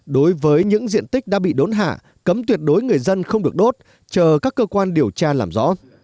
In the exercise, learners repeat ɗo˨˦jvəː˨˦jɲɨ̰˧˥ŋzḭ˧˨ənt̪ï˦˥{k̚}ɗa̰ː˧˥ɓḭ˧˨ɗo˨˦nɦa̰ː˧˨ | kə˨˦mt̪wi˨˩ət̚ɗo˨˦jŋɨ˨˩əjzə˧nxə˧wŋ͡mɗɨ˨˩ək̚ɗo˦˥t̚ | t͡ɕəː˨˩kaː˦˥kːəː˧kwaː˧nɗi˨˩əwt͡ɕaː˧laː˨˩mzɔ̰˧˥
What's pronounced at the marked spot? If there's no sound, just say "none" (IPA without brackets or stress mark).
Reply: k̚